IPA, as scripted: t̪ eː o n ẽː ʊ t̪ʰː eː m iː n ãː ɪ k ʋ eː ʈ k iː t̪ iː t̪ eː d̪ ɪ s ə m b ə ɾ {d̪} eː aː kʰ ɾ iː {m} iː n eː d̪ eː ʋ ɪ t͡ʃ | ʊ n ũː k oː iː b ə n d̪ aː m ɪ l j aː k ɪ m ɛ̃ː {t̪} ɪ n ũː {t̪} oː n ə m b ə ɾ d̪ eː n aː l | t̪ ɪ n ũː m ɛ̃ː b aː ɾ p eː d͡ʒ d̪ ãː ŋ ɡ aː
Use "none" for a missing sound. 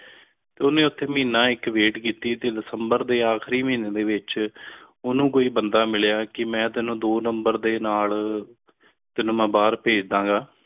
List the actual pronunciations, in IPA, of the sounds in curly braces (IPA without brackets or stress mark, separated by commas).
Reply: d̪, m, t̪, d̪